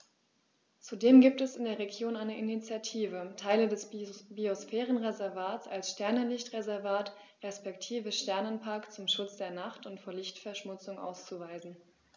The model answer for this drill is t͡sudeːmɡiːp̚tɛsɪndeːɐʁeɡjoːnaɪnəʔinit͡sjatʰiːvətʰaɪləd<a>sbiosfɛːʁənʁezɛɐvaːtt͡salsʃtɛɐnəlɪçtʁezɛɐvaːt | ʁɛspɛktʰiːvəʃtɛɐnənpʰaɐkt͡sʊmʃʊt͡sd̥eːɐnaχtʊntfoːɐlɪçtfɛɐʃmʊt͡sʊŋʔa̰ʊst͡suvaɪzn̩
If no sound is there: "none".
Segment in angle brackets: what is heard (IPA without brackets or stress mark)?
ɛ